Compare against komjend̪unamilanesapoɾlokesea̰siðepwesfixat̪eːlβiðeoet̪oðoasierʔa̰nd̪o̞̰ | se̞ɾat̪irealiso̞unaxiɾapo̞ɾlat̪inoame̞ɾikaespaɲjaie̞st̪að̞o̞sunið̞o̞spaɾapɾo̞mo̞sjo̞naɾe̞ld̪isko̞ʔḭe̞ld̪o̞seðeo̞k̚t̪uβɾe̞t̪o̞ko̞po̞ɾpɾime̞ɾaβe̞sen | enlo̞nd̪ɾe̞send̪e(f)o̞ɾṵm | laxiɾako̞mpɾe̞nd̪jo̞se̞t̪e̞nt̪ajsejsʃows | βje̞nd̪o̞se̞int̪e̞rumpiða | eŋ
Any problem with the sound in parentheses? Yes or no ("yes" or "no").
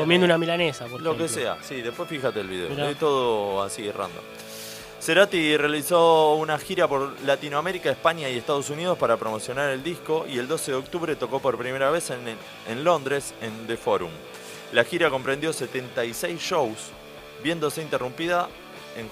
no